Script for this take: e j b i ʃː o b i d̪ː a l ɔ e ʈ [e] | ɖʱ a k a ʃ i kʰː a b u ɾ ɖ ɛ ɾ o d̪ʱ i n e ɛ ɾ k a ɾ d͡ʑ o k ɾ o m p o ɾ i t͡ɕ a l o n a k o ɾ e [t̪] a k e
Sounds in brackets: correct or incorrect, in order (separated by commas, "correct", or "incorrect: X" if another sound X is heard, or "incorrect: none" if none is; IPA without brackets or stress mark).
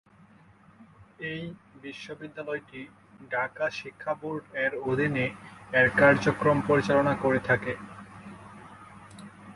incorrect: i, incorrect: t̪ʰ